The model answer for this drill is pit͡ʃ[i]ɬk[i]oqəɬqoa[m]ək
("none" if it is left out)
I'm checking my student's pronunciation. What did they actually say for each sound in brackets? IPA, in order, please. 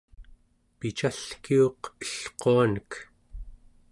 a, i, n

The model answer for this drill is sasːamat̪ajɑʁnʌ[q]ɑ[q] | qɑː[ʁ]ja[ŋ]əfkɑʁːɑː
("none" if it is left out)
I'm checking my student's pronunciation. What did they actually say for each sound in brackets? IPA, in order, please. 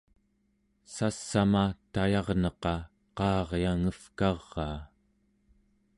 q, none, ʁ, ŋ

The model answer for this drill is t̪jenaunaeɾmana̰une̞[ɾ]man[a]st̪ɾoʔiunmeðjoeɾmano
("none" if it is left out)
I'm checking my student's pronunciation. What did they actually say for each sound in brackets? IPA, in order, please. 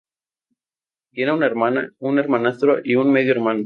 ɾ, a

